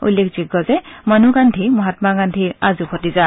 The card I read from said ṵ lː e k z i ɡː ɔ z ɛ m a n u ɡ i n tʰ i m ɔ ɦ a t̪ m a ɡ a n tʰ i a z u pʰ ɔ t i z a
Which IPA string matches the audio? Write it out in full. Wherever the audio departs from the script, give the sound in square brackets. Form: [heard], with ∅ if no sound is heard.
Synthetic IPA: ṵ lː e k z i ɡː ɔ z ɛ m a n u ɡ [a] n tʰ i m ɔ ɦ a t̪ m a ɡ a n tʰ i a z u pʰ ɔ t i z a